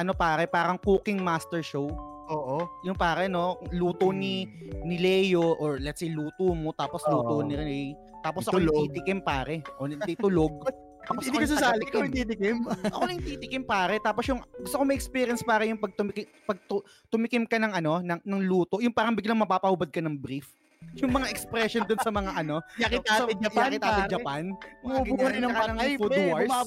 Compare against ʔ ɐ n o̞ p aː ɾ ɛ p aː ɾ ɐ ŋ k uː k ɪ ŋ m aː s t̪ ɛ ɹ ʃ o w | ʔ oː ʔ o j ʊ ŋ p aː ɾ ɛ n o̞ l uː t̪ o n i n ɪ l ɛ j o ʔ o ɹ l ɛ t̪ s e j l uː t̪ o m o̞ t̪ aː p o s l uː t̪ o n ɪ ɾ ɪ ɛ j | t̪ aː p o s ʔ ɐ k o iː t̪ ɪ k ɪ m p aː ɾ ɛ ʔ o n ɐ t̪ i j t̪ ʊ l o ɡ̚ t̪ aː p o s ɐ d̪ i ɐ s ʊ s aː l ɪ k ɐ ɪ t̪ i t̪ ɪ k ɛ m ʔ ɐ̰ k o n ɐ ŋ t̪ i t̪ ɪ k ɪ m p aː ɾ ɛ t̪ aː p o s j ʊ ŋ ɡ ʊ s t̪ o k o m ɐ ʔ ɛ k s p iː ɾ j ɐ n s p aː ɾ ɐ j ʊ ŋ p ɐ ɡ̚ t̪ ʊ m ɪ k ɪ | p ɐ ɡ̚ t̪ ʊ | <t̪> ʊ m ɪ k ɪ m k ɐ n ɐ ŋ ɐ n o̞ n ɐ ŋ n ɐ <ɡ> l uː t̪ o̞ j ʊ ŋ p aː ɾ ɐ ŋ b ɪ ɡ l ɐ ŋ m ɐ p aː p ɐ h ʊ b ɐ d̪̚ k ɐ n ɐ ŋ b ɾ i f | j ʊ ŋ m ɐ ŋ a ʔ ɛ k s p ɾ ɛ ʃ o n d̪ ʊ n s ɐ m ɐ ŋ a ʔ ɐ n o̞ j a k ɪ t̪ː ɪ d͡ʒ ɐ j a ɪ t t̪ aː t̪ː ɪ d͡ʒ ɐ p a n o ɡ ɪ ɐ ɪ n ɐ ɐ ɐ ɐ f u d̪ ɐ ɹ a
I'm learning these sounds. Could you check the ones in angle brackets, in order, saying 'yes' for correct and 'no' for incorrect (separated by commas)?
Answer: yes, no